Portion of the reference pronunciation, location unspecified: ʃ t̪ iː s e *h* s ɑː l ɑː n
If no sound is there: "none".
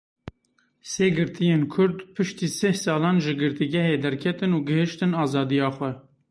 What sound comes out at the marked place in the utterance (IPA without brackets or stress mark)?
h